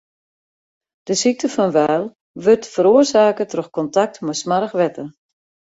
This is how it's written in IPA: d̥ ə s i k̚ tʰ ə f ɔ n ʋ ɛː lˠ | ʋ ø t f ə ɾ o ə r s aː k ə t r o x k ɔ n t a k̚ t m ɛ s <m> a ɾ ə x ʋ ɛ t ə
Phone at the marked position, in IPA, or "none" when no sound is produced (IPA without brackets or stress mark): m